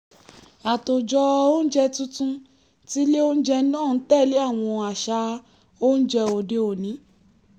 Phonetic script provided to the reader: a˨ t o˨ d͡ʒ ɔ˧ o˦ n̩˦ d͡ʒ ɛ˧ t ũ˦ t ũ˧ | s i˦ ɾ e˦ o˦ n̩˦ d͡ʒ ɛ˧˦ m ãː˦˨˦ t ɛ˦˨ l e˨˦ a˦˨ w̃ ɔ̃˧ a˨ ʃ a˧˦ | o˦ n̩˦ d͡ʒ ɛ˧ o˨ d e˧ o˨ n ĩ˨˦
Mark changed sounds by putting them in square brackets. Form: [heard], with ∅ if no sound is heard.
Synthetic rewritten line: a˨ t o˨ d͡ʒ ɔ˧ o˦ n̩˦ d͡ʒ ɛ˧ t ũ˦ t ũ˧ | [t] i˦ [l] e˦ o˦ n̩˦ d͡ʒ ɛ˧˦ [n] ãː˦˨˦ t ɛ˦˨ l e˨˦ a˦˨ w̃ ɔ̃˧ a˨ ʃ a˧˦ | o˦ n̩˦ d͡ʒ ɛ˧ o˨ d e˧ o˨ n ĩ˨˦